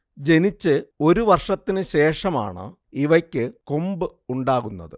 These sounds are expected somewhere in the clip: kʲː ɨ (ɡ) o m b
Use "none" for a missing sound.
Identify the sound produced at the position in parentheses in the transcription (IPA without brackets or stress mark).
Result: k